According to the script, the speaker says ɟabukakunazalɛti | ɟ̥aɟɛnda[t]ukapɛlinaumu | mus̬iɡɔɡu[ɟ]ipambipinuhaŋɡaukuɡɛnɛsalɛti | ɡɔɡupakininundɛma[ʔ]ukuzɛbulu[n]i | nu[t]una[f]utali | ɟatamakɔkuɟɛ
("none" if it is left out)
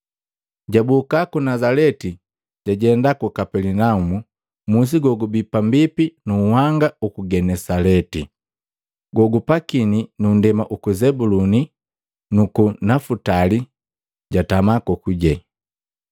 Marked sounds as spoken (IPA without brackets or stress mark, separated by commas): k, b, ʔ, n, k, f